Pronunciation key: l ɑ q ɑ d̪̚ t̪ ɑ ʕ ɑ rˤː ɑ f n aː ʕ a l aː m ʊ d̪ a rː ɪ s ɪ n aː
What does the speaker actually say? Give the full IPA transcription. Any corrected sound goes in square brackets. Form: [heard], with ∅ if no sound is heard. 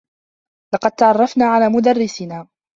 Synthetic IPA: l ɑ q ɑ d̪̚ t̪ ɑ ʕ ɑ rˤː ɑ f n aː ʕ a l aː m ʊ d̪ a rː ɪ s ɪ n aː

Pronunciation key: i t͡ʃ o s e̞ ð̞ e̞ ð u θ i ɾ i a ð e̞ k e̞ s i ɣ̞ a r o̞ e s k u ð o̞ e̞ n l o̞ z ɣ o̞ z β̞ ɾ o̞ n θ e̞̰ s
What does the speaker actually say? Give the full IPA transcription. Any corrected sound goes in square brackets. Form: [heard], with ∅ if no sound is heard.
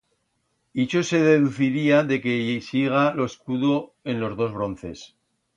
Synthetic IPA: i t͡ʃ o s e̞ ð̞ e̞ ð u θ i ɾ i a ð e̞ k e̞ s i ɣ̞ a [l] o̞ e s k u ð o̞ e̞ n l o̞ z [ð] o̞ z β̞ ɾ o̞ n θ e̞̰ s

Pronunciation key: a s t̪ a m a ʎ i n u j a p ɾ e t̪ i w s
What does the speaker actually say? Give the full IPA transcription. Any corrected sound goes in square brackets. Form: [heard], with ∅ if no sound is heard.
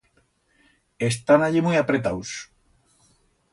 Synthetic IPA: [e] s t̪ a [n] a ʎ i [m] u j a p ɾ e t̪ [a] w s

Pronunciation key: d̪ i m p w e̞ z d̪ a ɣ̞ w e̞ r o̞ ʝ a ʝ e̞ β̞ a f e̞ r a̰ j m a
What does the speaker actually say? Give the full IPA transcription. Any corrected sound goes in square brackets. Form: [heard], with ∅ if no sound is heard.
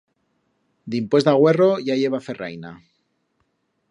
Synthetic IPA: d̪ i m p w e̞ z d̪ a ɣ̞ w e̞ r o̞ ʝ a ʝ e̞ β̞ a f e̞ r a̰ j [n] a

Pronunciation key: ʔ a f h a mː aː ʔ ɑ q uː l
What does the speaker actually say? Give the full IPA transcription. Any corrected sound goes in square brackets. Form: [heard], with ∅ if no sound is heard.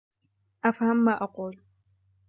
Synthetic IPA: ʔ a f h a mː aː ʔ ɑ q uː l

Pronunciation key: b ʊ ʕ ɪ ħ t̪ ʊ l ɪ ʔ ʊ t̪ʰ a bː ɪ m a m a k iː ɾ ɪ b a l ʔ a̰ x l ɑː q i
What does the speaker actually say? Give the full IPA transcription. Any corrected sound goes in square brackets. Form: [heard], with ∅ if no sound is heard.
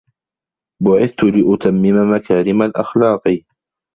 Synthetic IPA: b ʊ ʕ ɪ [θ] t̪ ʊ l ɪ ʔ ʊ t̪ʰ a [mː] ɪ m a m a k [aː] ɾ ɪ [m] a l ʔ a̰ x l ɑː q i

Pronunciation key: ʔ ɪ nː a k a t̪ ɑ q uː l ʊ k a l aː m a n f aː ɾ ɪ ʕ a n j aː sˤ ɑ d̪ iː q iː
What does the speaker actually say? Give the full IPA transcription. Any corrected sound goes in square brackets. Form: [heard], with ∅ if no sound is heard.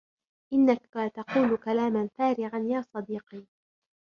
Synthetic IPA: ʔ ɪ nː a k a t̪ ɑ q uː l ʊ k a l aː m a n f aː ɾ ɪ ʕ a n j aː sˤ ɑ d̪ iː q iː

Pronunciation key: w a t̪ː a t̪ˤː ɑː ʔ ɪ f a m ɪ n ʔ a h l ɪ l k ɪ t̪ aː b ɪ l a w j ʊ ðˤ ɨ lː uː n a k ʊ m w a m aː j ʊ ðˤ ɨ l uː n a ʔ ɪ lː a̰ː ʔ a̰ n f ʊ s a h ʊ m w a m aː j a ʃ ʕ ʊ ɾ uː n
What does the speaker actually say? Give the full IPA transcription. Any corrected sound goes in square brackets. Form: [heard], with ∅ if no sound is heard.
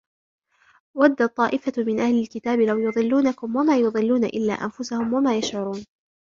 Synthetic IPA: w a [d̪ː] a t̪ˤː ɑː ʔ ɪ f a m ɪ n ʔ a h l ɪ l k ɪ t̪ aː b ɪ l a w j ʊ ðˤ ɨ lː uː n a k ʊ m w a m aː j ʊ ðˤ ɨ [lː] uː n a ʔ ɪ lː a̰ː ʔ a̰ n f ʊ s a h ʊ m w a m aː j a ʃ ʕ ʊ ɾ uː n

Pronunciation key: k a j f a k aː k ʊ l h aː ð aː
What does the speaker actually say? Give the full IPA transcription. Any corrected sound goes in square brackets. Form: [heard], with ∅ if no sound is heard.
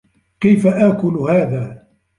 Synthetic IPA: k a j f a [ʔ] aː k ʊ l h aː ð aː

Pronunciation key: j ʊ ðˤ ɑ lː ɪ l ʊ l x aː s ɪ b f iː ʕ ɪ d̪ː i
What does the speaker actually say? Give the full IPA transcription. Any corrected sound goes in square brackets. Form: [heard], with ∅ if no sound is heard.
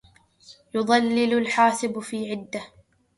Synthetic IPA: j ʊ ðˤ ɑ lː ɪ l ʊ l [ħ] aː s ɪ b f iː ʕ ɪ d̪ː [a]

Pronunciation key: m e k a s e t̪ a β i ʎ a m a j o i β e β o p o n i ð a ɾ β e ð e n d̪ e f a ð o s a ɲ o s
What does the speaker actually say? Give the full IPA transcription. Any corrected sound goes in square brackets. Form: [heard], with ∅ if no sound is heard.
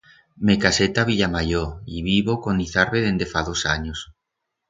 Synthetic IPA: m e k a s e t̪ a β i ʎ a m a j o i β [i] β o [k] o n i [θ] a ɾ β e ð e n d̪ e f a ð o s a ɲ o s

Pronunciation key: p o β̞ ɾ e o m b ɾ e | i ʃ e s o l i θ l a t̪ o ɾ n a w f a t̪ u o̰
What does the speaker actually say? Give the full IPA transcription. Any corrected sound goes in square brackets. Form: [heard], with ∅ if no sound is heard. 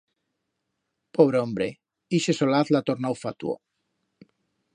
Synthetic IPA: p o β̞ ɾ e o m b ɾ e | i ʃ e s o l [a] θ l a t̪ o ɾ n a w f a t̪ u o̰

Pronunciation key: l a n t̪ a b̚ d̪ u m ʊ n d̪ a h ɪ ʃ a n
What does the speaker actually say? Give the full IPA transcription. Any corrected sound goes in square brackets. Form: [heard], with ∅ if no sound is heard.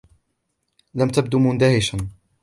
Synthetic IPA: l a [m] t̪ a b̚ d̪ u m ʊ n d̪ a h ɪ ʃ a n

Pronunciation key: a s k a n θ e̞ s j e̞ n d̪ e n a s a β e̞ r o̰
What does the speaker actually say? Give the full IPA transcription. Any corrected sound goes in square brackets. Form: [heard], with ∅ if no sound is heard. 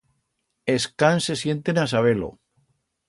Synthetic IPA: [e] s k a n [s] e̞ s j e̞ n [t̪] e n a s a β e̞ [l] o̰

